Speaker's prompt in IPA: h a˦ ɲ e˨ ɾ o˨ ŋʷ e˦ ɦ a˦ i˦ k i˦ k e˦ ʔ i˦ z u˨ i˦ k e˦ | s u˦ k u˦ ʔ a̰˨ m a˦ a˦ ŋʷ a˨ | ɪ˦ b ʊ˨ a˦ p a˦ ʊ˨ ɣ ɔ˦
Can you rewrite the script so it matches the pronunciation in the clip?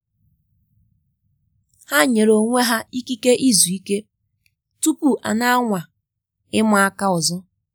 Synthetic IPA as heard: h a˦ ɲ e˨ ɾ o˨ ŋʷ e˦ ɦ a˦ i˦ k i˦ k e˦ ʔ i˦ z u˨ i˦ k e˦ | t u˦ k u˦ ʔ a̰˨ n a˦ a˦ ŋʷ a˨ | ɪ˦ m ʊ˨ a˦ k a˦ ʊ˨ z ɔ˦

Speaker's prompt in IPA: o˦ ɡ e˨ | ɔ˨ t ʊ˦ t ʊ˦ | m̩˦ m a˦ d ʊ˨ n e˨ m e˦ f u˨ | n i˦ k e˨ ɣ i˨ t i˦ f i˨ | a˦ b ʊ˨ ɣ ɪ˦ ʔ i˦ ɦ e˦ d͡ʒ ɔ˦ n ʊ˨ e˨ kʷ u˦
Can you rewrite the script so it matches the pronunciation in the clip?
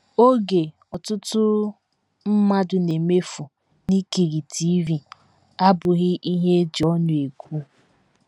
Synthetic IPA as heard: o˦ ɡ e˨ | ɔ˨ t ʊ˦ t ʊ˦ | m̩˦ m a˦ d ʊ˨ n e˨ m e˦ f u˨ | n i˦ k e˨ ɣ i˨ t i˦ v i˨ | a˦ b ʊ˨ ɣ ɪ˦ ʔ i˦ ɦ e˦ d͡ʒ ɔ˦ n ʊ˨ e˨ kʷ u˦

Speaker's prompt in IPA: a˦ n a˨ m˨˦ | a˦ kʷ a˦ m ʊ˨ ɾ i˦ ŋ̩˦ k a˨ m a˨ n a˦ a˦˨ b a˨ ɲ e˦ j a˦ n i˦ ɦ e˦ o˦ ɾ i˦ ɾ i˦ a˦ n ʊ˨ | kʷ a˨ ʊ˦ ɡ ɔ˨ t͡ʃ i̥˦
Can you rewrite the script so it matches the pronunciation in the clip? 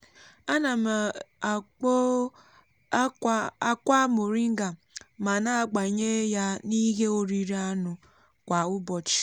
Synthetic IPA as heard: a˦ n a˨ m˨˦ | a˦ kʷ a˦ m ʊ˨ ɾ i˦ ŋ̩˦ ɡ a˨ m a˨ n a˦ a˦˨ ɡ͡b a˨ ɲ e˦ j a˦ n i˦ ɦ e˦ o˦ ɾ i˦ ɾ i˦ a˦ n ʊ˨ | kʷ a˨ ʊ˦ b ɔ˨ t͡ʃ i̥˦

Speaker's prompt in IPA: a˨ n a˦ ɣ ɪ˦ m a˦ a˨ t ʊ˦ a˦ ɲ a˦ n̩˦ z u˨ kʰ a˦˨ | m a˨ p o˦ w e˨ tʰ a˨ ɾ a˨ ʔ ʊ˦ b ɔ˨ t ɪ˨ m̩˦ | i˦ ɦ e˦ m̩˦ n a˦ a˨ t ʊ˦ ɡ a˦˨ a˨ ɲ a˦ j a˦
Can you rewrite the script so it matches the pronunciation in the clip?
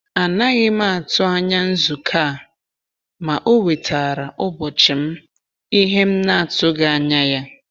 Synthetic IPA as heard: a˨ n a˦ ɣ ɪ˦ m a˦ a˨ t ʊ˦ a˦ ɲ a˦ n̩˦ z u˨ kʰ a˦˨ | m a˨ ʔ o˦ w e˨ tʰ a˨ ɾ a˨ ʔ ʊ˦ b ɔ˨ t͡ʃ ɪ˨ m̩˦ | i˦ ɦ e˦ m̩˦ n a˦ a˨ t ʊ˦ ɡ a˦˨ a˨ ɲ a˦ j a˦

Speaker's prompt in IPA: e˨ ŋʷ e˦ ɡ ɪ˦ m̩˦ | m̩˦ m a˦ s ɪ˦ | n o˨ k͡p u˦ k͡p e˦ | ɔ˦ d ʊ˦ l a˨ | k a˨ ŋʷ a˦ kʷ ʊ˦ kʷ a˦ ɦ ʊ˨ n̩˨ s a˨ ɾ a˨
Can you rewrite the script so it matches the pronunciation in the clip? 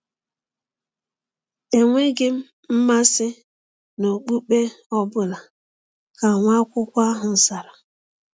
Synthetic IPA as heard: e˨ ŋʷ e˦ ɡ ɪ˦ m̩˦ | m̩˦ m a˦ s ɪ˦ | n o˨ k͡p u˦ k͡p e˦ | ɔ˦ b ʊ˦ l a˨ | k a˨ ŋʷ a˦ kʷ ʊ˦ kʷ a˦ ɦ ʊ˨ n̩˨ s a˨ ɾ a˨

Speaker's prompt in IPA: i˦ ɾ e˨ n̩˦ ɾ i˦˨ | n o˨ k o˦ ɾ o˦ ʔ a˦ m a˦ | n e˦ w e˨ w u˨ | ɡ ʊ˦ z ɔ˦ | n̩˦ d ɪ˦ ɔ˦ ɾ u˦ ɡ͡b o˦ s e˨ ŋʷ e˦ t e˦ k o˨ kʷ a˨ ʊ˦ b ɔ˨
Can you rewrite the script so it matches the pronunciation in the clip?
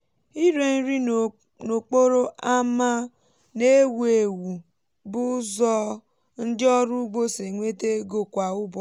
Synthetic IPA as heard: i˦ ɾ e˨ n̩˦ ɾ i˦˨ | n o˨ k͡p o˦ ɾ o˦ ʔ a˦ m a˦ | n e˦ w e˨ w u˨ | b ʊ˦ z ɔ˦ | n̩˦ d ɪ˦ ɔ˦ ɾ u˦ ɡ͡b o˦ s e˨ ŋʷ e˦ t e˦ ɡ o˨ kʷ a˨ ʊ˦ b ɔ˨

